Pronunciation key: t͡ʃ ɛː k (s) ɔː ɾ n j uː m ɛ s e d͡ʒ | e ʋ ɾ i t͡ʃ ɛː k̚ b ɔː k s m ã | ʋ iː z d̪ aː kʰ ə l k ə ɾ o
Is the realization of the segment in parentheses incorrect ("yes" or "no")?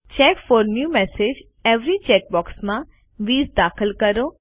yes